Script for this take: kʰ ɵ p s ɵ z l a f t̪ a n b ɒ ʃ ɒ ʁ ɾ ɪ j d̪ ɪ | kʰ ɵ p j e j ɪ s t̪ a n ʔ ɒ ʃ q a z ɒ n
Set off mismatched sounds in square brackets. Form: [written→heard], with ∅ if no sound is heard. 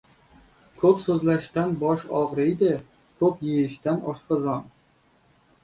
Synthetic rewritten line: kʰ ɵ p s ɵ z l a [f→ʃ] t̪ a n b ɒ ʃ ɒ ʁ ɾ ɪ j d̪ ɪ | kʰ ɵ p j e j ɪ [s→ʃ] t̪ a n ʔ ɒ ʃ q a z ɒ n